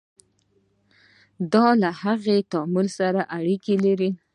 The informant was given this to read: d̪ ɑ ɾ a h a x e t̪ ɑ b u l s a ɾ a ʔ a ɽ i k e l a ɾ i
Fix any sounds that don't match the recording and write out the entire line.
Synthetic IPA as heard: d̪ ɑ l a h a ɣ e t̪ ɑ m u l s a ɾ a ʔ a ɽ i k e l a ɾ i